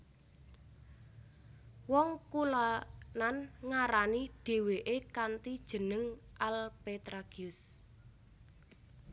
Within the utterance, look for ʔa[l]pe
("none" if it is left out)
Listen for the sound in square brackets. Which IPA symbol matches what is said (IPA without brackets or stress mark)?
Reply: l